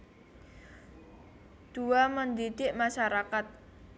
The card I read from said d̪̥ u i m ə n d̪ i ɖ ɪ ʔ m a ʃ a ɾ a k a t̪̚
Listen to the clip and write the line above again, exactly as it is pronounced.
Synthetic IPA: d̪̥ u a m ə n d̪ i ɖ ɪ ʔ m a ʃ a ɾ a k a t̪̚

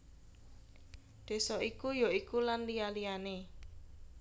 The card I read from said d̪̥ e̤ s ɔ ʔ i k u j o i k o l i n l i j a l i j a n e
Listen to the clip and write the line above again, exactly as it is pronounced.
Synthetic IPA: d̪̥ e̤ s ɔ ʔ i k u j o i k u l a n l i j a l i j a n e

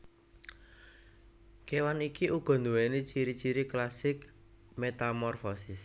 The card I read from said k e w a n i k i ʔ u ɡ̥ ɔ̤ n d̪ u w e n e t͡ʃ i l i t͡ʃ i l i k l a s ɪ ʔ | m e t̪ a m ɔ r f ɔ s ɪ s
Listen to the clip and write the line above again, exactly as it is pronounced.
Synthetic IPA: k e w a n i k i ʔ u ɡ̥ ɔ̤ n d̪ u w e n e t͡ʃ i ɾ i t͡ʃ i ɾ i k l a s ɪ k | m e t̪ a m ɔ r f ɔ s ɪ s

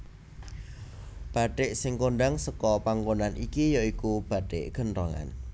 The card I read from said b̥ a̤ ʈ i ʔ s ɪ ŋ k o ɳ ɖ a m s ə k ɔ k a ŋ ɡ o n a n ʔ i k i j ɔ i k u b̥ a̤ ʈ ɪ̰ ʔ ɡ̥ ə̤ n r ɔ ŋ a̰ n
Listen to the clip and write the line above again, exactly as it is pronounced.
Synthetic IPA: b̥ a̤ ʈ ɪ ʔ s ɪ ŋ k o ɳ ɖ a ŋ s ə k ɔ p a ŋ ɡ o n a n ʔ i k i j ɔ i k u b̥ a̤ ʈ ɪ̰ ʔ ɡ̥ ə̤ n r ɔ ŋ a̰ n

